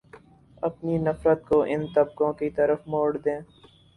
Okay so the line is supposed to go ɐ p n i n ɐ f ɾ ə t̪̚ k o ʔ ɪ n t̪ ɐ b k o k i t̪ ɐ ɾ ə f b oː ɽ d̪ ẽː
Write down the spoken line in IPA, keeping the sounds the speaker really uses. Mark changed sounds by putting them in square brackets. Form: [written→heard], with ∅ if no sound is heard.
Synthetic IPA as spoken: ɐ p n i n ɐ f ɾ ə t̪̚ k o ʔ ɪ n t̪ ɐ b k [o→õ] k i t̪ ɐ ɾ ə f [b→m] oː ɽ d̪ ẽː

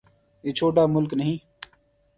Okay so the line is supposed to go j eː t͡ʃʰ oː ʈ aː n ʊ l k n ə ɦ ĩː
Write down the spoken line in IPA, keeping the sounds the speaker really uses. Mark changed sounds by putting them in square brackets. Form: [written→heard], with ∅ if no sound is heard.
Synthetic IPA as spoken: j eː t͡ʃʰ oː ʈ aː [n→m] ʊ l k n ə ɦ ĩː

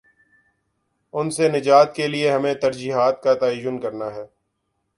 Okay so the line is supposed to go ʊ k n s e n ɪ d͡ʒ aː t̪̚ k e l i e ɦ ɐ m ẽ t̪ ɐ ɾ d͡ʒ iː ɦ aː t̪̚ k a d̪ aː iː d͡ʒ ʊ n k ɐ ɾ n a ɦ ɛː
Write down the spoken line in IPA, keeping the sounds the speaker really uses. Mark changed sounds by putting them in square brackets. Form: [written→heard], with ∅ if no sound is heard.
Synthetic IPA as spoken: ʊ [k→∅] n s e n ɪ d͡ʒ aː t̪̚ k e l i e ɦ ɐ m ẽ t̪ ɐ ɾ d͡ʒ iː ɦ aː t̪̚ k a [d̪→t̪] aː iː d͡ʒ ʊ n k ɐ ɾ n a ɦ ɛː

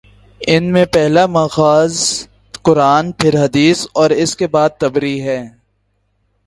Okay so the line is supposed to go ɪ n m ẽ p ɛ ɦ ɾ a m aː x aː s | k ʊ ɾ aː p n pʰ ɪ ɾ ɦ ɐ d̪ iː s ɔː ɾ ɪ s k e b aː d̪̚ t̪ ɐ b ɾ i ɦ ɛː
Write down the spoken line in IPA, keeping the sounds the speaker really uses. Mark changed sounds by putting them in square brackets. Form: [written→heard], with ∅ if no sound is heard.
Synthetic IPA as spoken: ɪ n m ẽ p ɛ ɦ [ɾ→l] a m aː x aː [s→z] | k ʊ ɾ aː [p→∅] n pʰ ɪ ɾ ɦ ɐ d̪ iː s ɔː ɾ ɪ s k e b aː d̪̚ t̪ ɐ b ɾ i ɦ ɛː

